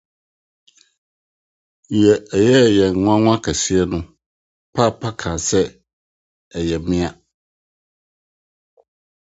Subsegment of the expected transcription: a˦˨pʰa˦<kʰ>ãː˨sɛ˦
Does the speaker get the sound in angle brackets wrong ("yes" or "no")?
no